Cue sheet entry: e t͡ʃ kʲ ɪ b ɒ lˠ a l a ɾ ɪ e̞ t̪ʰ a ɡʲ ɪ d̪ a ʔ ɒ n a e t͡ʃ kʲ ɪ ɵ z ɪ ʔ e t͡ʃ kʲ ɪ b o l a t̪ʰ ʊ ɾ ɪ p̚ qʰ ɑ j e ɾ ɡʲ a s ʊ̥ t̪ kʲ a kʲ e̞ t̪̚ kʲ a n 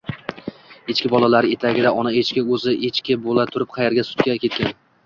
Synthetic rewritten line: e t͡ʃ kʲ ɪ b ɒ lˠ a l a ɾ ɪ e̞ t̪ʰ a ɡʲ ɪ d̪ a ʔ ɒ n a e t͡ʃ kʲ ɪ ɵ z ɪ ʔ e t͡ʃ kʲ ɪ b o l a t̪ʰ ʊ ɾ ɪ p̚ qʰ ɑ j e ɾ ɡʲ a s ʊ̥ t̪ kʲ a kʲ e̞ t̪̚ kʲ a n